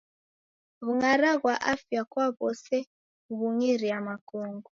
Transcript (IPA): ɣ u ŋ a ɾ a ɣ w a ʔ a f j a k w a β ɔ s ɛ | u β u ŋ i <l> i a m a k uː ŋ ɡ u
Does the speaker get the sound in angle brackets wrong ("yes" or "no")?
yes